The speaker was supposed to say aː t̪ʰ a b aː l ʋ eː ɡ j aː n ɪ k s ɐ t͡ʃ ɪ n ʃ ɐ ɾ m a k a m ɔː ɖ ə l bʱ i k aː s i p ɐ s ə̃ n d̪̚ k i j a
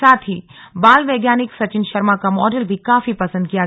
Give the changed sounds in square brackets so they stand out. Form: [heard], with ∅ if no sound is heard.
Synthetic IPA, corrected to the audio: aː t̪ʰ [i] b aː l ʋ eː ɡ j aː n ɪ k s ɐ t͡ʃ ɪ n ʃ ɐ ɾ m a k a m ɔː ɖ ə l bʱ i k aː [f] i p ɐ s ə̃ n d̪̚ k i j a